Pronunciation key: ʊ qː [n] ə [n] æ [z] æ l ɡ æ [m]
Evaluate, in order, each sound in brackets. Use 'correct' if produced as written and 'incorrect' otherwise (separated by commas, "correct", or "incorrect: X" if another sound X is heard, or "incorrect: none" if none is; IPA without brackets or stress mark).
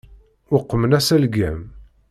incorrect: m, correct, incorrect: s, correct